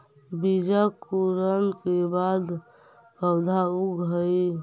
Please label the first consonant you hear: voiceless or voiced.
voiced